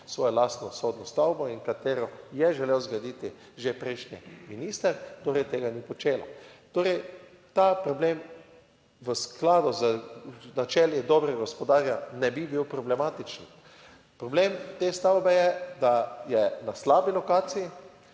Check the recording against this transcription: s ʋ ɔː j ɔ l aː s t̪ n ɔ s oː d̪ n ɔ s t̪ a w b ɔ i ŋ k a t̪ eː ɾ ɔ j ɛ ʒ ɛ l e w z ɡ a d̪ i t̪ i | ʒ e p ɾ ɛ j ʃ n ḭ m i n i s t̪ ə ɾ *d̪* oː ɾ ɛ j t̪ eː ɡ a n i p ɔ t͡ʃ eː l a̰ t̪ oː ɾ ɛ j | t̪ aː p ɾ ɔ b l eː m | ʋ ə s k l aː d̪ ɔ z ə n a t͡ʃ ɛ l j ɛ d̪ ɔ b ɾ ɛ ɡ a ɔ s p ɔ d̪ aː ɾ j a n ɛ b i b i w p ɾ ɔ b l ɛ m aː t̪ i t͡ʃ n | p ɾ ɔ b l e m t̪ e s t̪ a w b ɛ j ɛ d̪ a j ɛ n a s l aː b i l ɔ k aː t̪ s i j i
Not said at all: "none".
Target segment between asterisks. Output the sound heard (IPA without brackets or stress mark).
t̪